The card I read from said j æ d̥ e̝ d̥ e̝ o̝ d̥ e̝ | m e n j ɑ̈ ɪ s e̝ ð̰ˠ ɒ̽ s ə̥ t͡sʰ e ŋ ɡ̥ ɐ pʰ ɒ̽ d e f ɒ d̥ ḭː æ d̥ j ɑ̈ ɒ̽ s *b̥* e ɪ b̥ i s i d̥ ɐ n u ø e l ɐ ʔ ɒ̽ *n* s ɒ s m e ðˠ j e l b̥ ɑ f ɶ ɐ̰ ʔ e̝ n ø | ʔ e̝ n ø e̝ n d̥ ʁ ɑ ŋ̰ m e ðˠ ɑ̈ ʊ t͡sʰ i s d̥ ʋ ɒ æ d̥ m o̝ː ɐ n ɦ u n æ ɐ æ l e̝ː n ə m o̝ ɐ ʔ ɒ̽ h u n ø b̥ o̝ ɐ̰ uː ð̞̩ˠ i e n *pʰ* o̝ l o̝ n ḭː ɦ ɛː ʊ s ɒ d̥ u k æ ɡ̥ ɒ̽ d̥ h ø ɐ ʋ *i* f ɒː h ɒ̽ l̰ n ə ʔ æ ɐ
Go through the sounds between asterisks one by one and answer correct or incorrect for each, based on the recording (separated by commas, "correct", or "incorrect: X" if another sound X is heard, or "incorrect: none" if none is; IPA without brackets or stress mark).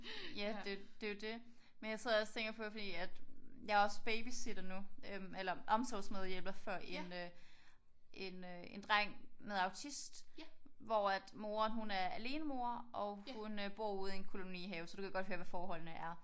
correct, incorrect: m, incorrect: kʰ, incorrect: æ